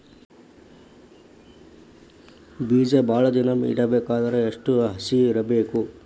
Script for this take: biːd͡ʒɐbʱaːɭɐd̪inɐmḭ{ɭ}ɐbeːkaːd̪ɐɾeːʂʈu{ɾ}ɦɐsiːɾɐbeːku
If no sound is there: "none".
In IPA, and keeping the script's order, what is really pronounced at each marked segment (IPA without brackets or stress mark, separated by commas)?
ɽ, none